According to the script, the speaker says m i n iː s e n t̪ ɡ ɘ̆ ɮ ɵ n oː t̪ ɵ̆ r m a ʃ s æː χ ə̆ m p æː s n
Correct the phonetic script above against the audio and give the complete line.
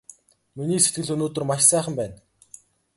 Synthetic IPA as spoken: m i n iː s e t̪ ɡ ɘ̆ ɮ ɵ n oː t̪ ɵ̆ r m a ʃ s æː χ ə̆ m p æː n